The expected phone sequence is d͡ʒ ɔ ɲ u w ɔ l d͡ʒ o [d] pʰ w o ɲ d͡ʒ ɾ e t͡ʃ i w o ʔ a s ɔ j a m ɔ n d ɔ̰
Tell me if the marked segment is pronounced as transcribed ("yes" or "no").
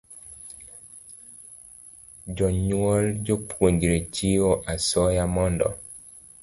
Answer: no